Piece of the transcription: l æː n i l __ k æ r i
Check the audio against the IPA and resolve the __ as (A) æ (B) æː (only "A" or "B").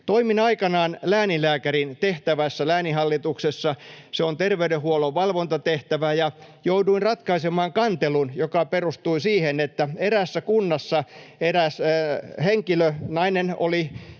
B